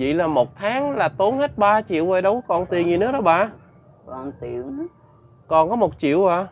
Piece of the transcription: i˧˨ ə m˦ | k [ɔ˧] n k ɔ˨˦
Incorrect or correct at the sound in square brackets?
incorrect: ɔ˨˩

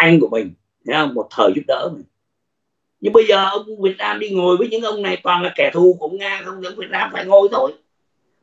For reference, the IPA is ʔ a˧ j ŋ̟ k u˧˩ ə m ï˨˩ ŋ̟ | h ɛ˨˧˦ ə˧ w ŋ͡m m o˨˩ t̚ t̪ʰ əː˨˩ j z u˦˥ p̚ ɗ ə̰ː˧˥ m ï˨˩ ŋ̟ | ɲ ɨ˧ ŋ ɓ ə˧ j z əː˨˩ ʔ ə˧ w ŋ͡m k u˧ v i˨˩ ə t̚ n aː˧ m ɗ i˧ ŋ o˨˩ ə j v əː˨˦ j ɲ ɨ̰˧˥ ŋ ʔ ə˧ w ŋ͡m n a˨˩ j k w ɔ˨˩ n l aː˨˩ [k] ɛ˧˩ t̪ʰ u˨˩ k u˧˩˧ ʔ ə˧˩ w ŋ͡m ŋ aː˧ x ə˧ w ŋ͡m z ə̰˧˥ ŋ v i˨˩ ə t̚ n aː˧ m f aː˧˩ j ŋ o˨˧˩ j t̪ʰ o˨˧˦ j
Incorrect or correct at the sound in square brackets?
correct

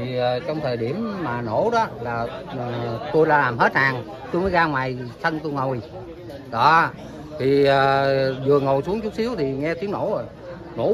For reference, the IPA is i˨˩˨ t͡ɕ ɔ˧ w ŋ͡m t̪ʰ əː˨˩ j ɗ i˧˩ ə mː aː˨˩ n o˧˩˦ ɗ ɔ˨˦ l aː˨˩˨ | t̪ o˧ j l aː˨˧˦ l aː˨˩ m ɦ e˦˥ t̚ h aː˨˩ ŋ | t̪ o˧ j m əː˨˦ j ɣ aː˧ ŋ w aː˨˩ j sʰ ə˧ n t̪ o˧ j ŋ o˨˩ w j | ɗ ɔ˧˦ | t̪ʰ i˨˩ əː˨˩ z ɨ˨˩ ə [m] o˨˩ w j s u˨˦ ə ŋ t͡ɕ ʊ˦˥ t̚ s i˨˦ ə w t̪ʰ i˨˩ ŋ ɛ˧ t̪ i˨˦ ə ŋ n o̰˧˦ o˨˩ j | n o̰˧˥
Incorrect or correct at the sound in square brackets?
incorrect: ŋ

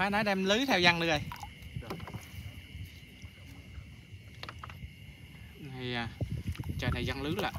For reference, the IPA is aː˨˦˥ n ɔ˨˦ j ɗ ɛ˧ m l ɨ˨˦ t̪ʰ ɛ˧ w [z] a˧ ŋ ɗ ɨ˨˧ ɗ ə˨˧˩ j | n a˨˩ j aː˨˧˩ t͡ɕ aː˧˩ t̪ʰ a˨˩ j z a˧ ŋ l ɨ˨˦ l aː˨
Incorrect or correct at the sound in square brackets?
correct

